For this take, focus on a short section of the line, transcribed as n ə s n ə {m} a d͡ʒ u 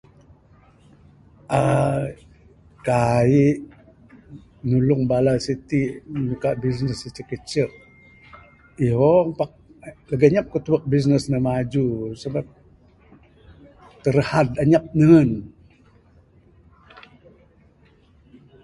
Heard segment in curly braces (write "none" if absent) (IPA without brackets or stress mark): m